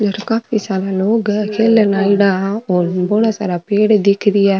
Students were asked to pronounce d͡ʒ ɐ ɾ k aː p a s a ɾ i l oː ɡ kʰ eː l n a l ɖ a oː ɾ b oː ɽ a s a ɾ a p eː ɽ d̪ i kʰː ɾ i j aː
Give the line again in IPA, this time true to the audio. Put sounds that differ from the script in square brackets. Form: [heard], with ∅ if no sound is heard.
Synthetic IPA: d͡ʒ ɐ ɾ k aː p [i] s a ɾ [a] l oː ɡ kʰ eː l n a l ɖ a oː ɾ b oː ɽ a s a ɾ a p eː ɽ d̪ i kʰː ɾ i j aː